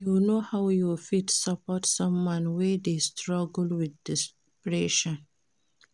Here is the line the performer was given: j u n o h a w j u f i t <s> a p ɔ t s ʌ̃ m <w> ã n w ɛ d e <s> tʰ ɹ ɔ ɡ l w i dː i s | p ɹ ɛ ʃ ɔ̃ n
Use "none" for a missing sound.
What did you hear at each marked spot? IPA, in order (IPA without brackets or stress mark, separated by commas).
s, w, s